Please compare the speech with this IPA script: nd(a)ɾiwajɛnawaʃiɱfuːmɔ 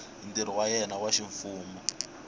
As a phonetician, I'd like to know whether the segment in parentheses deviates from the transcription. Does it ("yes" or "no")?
yes